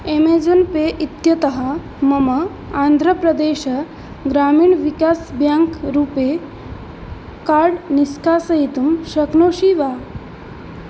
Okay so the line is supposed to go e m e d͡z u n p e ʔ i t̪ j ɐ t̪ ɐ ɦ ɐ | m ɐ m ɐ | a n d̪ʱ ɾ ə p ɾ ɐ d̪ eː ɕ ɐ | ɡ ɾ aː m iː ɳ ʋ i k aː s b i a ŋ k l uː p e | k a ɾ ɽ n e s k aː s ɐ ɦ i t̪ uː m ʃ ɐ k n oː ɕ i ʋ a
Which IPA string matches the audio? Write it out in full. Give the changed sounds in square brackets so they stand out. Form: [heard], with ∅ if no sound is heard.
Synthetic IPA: e m e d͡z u n p e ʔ i t̪ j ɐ t̪ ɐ ɦ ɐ | m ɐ m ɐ | a n d̪ʱ ɾ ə p ɾ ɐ d̪ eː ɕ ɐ | ɡ ɾ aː m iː ɳ ʋ i k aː s b [j] a ŋ k [ɾ] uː p e | k a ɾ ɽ n [i] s k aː s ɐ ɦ i t̪ [u] m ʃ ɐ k n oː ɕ i ʋ a